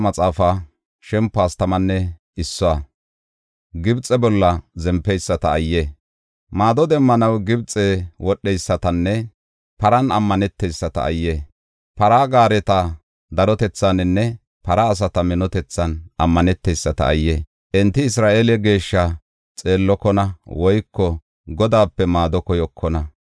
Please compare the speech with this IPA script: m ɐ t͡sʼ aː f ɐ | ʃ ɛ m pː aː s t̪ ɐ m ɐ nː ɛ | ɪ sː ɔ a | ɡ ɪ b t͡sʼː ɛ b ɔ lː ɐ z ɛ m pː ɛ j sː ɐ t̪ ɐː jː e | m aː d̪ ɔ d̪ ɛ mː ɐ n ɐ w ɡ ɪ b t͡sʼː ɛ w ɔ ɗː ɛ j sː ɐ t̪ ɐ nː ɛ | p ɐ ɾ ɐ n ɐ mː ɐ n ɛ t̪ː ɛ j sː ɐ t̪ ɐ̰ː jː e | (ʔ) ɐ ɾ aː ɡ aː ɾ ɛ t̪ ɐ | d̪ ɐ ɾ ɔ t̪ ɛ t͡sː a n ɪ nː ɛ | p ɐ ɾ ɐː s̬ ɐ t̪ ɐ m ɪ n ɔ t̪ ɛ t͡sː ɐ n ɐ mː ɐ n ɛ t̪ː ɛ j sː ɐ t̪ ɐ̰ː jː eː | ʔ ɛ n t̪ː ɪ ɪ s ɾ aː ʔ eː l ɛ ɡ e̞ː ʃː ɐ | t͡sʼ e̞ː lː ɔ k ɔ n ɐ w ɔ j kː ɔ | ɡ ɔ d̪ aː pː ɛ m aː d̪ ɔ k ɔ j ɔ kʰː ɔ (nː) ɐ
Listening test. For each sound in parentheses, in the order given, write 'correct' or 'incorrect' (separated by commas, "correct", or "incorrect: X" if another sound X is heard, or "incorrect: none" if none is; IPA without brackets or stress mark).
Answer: incorrect: p, incorrect: n